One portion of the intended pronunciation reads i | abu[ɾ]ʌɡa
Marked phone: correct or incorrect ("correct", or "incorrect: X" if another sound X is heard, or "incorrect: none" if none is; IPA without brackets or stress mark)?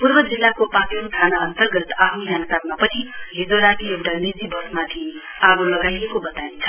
incorrect: l